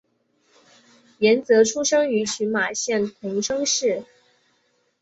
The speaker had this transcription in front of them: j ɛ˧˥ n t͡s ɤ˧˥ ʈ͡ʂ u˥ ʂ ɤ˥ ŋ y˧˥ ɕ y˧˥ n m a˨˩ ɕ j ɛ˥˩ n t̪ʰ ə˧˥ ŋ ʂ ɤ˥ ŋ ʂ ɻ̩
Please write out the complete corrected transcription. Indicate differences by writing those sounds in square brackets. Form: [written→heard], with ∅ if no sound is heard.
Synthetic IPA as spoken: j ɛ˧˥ n t͡s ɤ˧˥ [ʈ͡ʂ→ʈ͡ʂʰ] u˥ ʂ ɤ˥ ŋ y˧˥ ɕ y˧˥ n m a˨˩ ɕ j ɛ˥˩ n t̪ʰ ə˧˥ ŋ ʂ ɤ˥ ŋ ʂ ɻ̩